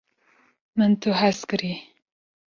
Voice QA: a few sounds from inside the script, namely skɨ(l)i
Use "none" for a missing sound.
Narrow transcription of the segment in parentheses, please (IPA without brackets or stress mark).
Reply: ɾ